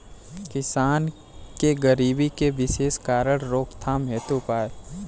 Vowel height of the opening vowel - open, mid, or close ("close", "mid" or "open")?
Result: close